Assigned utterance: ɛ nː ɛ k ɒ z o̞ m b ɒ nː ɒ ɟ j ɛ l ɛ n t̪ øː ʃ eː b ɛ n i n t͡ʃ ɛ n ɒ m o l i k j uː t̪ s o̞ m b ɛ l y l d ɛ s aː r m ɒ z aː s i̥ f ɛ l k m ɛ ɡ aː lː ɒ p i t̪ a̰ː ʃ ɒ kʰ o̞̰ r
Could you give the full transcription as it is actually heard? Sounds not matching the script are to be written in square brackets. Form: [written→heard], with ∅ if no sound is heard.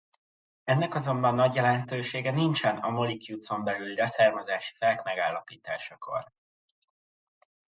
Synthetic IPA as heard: ɛ nː ɛ k ɒ z o̞ m b ɒ nː ɒ ɟ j ɛ l ɛ n t̪ øː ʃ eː [b→ɡ] ɛ n i n t͡ʃ ɛ n ɒ m o l i k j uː t̪ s o̞ m b ɛ l y l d ɛ s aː r m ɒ z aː [s→ʃ] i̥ f ɛ l k m ɛ ɡ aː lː ɒ p [i→iː] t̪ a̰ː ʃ ɒ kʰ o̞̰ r

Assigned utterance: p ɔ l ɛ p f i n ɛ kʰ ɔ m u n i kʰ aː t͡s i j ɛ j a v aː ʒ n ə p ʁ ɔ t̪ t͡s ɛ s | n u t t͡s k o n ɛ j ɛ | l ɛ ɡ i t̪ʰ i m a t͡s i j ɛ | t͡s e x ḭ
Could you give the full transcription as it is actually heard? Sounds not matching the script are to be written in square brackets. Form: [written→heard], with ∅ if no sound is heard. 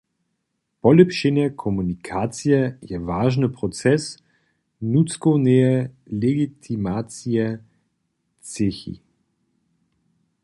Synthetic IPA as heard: p ɔ l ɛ p [f→ʃ] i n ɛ kʰ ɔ m u n i kʰ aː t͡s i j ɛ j [a→ɛ] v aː ʒ n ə p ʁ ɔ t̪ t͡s ɛ s | n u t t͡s k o n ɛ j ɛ | l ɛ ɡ i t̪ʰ i m a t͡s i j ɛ | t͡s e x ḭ

